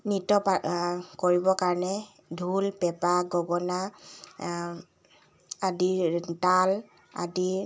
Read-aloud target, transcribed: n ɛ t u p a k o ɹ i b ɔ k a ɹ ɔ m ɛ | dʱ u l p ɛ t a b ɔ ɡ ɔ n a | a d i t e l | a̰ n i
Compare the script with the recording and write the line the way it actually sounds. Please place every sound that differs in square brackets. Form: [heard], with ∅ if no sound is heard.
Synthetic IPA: n [i] t [ɔ] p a k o ɹ i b ɔ k a ɹ ɔ [n] ɛ | dʱ u l p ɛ [p] a [ɡ] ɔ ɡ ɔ n a | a d i t [a] l | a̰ [d] i